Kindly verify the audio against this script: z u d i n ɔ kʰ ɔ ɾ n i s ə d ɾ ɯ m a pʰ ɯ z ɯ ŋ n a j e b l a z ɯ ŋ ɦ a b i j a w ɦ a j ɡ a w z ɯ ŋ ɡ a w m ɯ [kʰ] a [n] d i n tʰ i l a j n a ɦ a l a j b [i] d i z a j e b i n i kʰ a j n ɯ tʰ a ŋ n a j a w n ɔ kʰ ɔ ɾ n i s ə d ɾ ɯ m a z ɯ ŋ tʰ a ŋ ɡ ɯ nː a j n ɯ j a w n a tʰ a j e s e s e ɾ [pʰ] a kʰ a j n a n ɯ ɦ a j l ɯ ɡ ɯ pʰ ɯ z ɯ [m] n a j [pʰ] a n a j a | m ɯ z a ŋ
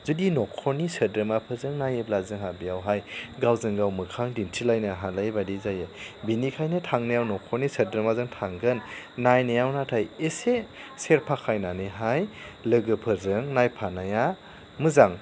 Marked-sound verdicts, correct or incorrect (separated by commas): correct, incorrect, incorrect, correct, incorrect, correct